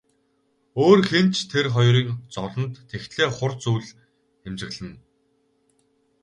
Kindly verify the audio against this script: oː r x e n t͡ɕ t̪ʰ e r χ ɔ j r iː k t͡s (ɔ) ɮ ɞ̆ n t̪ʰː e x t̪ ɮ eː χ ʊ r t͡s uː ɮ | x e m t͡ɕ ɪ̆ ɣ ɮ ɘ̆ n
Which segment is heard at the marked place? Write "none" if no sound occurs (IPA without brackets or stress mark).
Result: ɔ